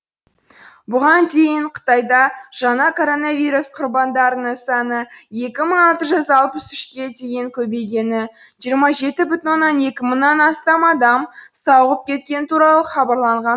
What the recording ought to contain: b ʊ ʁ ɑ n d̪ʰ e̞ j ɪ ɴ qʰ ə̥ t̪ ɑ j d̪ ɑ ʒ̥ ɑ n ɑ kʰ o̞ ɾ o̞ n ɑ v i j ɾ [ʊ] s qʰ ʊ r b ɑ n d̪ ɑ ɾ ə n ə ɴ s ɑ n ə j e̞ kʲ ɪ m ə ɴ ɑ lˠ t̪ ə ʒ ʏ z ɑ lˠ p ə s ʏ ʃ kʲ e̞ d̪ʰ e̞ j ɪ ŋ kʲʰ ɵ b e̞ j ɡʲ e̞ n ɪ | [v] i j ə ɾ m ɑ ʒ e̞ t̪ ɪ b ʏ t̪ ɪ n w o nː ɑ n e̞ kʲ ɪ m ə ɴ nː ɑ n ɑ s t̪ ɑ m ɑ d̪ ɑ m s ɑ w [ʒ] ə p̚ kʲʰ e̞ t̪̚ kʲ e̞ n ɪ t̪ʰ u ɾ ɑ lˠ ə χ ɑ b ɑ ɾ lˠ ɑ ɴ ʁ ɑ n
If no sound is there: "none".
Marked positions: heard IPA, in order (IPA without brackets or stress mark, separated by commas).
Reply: u, ʒ, ʁ